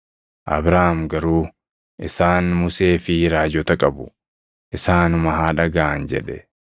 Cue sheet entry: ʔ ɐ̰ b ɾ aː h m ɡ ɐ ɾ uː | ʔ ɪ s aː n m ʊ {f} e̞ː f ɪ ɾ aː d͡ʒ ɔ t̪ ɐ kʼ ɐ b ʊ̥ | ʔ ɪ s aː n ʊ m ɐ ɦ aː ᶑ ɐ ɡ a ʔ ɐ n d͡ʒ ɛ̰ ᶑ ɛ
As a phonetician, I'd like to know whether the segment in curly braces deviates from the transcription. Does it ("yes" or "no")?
yes